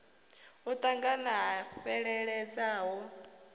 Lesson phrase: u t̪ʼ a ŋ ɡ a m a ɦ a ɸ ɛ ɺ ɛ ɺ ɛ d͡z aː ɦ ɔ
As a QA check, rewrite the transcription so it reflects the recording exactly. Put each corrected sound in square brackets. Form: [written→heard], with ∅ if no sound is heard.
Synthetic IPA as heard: u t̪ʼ a ŋ ɡ a [m→n] a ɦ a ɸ ɛ ɺ ɛ ɺ ɛ d͡z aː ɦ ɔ